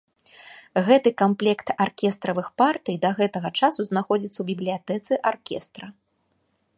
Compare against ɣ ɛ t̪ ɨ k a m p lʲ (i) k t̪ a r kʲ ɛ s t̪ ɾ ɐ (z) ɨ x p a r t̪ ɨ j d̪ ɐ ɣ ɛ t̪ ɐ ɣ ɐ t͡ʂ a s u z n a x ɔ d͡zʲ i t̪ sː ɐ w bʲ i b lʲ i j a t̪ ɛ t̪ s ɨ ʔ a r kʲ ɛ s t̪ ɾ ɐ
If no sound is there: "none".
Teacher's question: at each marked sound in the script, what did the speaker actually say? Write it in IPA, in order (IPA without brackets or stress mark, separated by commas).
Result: ɛ, v